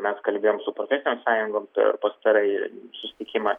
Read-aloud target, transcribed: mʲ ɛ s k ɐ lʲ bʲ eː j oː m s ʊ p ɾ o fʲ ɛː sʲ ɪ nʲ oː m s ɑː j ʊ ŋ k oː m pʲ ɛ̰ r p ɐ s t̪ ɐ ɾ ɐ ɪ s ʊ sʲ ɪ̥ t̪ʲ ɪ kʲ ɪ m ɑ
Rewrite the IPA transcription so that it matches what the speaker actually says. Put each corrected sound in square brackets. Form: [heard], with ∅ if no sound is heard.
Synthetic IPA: mʲ ɛ s k ɐ lʲ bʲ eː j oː m s ʊ p ɾ o fʲ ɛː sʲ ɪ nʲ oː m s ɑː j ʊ ŋ [ɡ] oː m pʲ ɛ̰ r p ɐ s t̪ ɐ ɾ ɐ ɪ s ʊ sʲ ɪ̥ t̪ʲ ɪ kʲ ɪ m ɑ

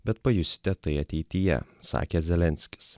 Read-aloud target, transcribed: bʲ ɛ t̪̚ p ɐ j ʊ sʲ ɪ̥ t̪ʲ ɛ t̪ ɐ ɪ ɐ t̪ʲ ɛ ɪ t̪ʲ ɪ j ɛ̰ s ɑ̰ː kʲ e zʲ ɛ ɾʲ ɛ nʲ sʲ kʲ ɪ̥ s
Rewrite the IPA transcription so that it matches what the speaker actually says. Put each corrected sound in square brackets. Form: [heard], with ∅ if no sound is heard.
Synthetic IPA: bʲ ɛ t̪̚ p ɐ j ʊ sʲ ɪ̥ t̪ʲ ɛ t̪ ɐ ɪ ɐ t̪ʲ ɛ ɪ t̪ʲ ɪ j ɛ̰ s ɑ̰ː kʲ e zʲ ɛ [lʲ] ɛ nʲ sʲ kʲ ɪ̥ s

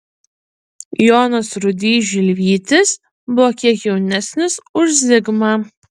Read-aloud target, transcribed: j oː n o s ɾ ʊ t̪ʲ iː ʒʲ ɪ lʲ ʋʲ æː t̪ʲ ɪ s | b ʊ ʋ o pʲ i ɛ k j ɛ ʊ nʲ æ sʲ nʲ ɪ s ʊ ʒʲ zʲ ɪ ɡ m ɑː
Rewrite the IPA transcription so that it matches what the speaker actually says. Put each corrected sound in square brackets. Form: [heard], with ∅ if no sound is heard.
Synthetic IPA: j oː n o s ɾ ʊ [d̪ʲ] iː ʒʲ ɪ lʲ ʋʲ [iː] t̪ʲ ɪ s | b ʊ ʋ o [kʲ] i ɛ k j ɛ ʊ nʲ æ sʲ nʲ ɪ s ʊ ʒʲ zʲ ɪ ɡ m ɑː

